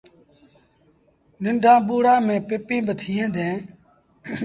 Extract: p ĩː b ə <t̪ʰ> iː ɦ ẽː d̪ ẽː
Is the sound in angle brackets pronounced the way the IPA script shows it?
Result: yes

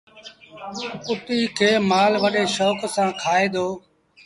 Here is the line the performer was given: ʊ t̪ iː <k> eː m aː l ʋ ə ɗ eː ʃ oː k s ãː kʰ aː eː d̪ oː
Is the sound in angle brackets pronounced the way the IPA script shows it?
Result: no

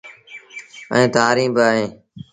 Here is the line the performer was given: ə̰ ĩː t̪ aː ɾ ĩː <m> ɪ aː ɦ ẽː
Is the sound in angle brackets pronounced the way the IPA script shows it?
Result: no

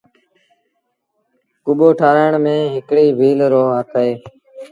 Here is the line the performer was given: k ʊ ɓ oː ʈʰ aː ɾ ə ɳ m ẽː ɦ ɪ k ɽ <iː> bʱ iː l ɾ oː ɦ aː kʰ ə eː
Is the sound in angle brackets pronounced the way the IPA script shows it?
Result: yes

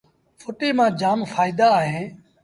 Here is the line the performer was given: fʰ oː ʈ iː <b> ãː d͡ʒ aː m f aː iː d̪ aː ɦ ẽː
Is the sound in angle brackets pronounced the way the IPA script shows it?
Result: no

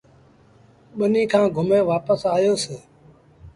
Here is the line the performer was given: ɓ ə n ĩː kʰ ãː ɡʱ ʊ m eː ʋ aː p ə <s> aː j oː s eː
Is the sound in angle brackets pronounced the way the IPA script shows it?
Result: yes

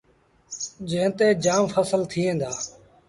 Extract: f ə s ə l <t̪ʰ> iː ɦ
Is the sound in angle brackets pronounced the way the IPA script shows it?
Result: yes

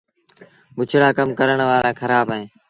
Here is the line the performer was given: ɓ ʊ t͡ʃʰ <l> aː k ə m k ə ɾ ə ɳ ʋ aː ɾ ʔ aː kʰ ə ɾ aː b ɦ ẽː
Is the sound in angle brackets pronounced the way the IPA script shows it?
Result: no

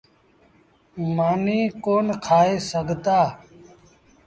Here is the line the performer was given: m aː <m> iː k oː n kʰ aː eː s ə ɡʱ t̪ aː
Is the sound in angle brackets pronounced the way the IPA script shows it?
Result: no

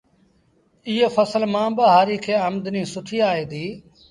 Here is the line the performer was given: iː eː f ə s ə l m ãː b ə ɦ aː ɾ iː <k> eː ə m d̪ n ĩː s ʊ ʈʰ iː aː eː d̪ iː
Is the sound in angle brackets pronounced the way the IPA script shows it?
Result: no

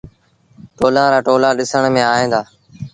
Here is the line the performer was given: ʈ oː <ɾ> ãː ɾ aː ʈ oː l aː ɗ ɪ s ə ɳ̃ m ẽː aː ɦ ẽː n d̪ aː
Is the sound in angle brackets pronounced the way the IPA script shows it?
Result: no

